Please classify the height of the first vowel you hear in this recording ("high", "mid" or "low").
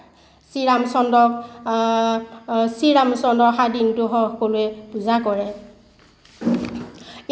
high